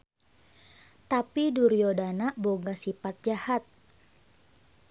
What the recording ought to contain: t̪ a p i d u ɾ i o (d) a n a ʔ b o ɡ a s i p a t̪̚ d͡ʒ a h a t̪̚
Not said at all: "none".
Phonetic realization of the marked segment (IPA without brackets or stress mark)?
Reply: d